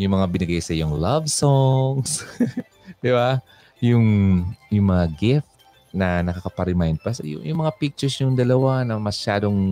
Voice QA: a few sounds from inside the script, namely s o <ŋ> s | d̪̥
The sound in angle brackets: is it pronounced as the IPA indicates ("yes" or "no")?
yes